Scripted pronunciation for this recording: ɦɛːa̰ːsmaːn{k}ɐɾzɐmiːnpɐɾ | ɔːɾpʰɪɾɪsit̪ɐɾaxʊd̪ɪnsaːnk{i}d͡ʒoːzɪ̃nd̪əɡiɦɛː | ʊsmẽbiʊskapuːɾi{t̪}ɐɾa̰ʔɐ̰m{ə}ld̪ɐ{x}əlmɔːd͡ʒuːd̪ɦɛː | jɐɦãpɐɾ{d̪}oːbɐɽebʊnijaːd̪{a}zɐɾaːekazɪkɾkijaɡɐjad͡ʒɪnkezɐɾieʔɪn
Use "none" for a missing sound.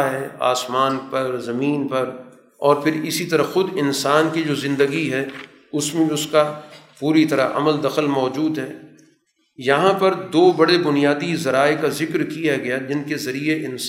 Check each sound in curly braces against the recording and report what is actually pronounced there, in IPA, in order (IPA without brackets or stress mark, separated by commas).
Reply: p, i, t̪, ə, x, d̪, i